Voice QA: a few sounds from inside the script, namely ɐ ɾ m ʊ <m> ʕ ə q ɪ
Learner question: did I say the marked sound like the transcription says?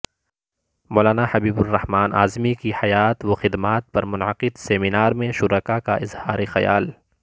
no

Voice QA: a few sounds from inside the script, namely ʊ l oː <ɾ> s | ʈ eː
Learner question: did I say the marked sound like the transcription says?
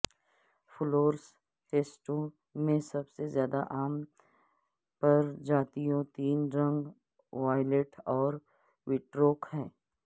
yes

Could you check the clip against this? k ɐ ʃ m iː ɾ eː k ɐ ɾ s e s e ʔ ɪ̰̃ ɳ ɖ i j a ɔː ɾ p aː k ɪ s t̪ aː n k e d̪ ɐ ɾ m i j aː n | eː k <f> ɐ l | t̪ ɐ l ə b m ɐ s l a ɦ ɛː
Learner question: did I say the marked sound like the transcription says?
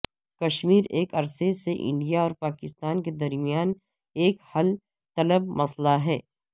no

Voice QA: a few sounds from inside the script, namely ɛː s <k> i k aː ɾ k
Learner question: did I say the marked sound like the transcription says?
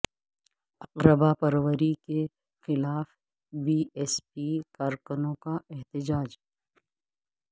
no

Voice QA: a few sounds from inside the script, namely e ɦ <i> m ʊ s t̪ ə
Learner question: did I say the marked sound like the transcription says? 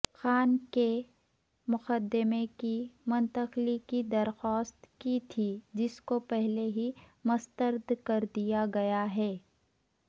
yes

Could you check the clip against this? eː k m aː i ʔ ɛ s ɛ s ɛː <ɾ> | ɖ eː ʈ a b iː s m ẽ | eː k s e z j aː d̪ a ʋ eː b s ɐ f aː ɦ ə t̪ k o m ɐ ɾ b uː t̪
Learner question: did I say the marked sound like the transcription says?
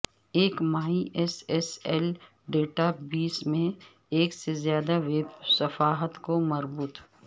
no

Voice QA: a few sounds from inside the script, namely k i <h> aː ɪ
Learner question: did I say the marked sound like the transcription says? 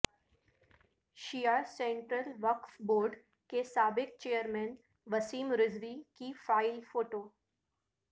no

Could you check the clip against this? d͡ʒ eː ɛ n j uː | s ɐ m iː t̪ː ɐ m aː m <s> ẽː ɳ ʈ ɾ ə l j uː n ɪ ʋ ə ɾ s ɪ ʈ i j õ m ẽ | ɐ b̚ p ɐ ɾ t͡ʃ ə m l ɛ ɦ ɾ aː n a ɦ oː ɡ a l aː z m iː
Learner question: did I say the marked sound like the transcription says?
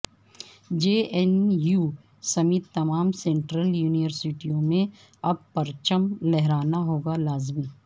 yes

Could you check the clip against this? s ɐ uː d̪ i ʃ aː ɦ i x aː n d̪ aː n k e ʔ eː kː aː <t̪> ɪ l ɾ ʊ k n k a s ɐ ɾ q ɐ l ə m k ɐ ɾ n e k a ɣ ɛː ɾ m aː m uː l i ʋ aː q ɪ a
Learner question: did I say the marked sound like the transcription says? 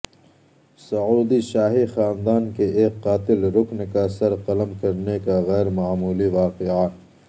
yes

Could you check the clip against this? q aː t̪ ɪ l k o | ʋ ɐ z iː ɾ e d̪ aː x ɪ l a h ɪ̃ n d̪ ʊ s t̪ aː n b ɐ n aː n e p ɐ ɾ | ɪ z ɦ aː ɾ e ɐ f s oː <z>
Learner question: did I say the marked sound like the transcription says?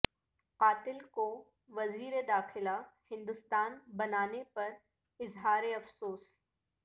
no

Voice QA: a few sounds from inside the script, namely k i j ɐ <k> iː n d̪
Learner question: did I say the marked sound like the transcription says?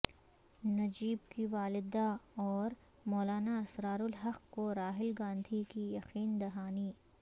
no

